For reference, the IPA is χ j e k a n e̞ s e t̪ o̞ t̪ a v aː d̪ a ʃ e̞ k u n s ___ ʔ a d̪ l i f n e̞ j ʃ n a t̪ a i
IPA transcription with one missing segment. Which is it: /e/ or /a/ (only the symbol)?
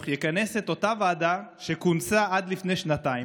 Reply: a